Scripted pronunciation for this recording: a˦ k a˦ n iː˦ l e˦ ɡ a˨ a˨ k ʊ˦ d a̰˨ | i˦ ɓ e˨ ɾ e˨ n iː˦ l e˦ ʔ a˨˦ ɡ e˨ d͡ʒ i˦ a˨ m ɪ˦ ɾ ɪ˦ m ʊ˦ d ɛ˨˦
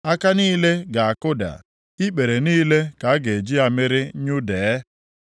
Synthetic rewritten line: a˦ k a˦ n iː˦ l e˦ ɡ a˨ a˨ k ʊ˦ d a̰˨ | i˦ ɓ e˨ ɾ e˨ n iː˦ l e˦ k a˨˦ ɡ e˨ d͡ʒ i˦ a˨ m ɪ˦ ɾ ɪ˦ ɲ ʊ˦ d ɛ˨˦